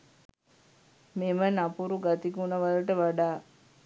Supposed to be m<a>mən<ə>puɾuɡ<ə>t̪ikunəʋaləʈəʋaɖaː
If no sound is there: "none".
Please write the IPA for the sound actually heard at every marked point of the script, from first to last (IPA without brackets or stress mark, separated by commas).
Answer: e, a, a